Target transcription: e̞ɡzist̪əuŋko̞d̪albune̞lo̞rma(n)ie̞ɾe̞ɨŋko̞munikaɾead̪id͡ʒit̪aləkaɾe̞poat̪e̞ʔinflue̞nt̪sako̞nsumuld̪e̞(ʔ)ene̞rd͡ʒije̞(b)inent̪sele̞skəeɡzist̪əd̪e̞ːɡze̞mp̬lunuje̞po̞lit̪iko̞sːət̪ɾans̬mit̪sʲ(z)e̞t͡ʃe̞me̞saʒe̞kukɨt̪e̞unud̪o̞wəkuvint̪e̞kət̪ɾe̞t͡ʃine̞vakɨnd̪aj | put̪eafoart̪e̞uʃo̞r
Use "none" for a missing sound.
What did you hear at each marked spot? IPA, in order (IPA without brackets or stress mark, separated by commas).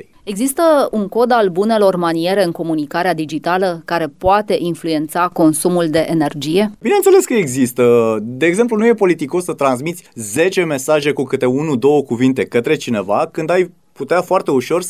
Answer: n, ʔ, b, z